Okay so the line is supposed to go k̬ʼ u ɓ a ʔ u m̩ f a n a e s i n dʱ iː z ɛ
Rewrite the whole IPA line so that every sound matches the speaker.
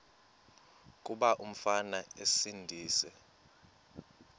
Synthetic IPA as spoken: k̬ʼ u ɓ a ʔ u m̩ f a n a e s i n dʱ iː s ɛ